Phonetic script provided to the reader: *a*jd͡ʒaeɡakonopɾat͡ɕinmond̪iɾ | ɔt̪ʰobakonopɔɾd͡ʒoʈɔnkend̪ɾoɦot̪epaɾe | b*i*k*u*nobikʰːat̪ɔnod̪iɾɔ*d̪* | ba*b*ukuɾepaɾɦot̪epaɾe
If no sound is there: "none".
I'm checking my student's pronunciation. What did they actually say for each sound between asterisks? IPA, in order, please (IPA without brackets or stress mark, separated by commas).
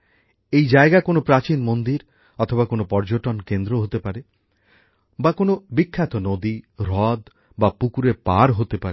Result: e, a, o, d̪, p